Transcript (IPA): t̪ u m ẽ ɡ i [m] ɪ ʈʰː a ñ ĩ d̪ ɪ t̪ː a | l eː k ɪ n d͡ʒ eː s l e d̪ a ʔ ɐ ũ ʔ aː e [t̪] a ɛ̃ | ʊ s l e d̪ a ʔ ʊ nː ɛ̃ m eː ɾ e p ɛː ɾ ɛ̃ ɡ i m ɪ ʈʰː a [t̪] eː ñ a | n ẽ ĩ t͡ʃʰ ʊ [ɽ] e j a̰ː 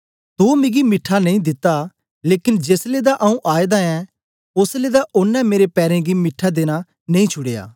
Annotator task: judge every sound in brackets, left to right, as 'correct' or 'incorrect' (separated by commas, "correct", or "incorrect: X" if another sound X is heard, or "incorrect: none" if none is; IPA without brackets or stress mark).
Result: correct, incorrect: d̪, incorrect: d̪, correct